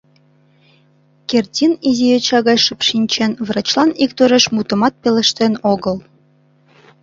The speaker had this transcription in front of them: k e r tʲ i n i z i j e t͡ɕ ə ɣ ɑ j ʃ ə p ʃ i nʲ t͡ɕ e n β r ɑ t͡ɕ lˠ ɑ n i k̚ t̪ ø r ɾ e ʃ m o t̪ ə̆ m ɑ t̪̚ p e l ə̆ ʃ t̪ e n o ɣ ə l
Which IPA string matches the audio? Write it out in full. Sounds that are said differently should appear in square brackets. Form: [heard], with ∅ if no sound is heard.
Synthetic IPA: k e r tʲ i n i z i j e t͡ɕ [ɑ] ɣ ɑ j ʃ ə p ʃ i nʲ t͡ɕ e n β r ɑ t͡ɕ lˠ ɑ n i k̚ t̪ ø [∅] ɾ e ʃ m [u] t̪ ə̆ m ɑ t̪̚ p e l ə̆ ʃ t̪ e n o ɣ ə l